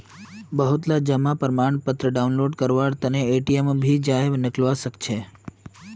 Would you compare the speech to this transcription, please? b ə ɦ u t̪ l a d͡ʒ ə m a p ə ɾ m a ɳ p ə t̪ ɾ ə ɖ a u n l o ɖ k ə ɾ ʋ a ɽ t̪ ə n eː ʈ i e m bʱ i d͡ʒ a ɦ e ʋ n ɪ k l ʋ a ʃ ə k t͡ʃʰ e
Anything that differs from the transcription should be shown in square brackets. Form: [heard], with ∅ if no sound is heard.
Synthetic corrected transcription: b ə ɦ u t̪ l a d͡ʒ ə m a p ə ɾ m a ɳ p ə t̪ ɾ ə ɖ a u n l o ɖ k ə ɾ ʋ a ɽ t̪ ə n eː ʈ i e m bʱ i d͡ʒ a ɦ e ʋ n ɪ k l ʋ a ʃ ə k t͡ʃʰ e